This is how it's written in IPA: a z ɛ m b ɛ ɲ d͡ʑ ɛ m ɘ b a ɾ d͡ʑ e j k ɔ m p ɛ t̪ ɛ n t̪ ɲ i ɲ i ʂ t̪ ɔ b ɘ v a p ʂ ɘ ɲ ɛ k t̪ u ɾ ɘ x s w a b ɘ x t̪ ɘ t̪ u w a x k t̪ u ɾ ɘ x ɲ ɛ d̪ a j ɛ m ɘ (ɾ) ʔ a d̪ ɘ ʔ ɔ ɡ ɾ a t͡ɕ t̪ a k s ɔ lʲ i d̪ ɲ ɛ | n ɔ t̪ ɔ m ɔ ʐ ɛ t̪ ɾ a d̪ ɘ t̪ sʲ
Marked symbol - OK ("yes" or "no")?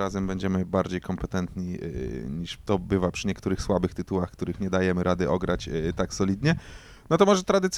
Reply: yes